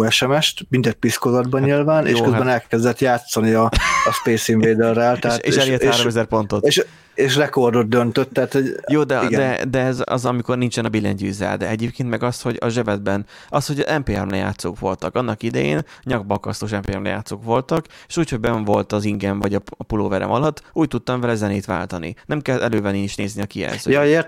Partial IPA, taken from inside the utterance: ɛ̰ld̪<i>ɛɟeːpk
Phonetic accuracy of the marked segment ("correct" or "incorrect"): incorrect